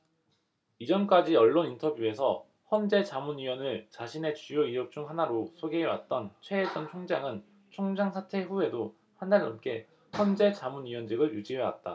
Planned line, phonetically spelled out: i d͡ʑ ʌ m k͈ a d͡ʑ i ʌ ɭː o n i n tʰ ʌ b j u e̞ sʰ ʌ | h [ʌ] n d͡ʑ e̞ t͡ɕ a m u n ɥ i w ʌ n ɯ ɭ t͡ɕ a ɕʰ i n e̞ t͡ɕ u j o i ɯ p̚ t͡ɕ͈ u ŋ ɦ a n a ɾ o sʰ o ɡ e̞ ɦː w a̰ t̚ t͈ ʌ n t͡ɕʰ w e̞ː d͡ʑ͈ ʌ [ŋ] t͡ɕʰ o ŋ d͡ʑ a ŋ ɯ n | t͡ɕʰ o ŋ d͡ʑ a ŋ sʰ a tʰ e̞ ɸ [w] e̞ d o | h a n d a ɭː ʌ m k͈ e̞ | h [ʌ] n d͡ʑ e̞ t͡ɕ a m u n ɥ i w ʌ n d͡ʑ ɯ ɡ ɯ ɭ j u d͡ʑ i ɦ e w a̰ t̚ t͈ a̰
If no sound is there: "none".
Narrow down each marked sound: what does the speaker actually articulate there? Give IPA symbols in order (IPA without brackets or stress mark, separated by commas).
ʌ, n, u, ʌ